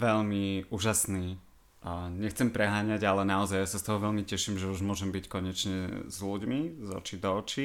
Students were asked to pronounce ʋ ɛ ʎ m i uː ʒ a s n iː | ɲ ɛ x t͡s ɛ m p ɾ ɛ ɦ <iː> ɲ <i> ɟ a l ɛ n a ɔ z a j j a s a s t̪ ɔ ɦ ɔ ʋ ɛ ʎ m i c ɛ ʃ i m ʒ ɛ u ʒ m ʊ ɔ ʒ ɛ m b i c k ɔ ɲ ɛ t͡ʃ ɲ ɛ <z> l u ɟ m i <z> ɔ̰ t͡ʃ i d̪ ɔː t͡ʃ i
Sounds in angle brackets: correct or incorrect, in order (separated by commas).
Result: incorrect, incorrect, correct, correct